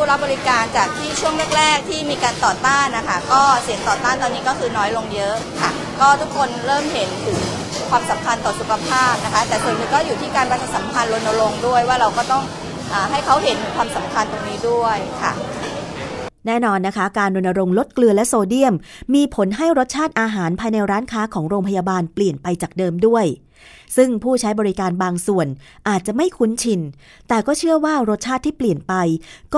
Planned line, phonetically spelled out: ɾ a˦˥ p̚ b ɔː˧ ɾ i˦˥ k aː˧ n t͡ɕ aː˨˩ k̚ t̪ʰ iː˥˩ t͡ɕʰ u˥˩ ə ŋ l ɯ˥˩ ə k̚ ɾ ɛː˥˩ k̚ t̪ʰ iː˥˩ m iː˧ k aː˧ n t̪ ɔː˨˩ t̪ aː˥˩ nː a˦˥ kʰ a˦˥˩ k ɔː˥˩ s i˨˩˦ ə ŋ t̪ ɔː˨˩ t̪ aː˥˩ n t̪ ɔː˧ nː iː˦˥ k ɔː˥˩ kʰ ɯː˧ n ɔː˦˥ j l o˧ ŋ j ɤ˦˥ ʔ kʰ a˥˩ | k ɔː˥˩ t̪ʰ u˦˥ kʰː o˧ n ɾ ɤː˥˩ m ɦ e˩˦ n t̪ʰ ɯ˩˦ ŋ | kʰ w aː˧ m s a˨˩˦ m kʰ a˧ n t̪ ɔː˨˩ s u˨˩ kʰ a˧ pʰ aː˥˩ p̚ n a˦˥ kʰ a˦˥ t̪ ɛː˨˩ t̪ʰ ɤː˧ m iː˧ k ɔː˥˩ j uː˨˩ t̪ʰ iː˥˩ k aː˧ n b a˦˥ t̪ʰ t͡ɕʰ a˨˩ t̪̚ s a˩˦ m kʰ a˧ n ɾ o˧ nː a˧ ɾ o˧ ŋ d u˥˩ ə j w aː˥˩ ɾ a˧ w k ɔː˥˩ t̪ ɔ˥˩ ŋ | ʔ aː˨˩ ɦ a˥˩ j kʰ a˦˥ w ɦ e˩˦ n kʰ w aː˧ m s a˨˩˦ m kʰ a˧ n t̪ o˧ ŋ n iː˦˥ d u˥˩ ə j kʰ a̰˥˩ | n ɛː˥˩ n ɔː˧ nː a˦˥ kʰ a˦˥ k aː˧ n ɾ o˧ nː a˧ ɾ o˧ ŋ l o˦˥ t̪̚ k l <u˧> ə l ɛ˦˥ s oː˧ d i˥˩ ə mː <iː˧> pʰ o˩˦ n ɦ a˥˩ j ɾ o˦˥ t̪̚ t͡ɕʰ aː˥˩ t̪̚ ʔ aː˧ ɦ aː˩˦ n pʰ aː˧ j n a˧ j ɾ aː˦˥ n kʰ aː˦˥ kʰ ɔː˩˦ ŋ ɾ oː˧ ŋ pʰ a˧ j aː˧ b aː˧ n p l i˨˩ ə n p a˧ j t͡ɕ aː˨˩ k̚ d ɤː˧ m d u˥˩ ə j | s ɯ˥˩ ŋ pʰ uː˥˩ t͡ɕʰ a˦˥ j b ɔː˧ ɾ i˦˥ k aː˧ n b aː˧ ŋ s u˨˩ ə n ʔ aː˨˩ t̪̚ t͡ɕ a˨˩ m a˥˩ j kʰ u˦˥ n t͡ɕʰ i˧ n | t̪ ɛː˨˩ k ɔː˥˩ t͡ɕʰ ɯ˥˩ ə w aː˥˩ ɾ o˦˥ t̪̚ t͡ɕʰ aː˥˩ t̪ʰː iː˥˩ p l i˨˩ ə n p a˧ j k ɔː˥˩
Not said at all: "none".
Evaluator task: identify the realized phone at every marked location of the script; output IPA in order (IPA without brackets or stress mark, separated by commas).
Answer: ɯ˧, iː˧